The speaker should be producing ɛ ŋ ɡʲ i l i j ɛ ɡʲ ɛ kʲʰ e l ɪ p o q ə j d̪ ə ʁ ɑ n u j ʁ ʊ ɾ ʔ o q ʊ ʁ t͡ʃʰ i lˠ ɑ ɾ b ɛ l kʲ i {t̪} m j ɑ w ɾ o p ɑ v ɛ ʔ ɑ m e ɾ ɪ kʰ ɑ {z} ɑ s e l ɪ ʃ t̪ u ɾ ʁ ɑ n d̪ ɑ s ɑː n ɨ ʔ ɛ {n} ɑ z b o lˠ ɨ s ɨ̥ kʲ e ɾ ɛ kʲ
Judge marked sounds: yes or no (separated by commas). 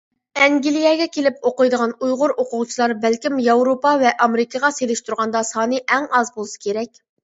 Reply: no, no, no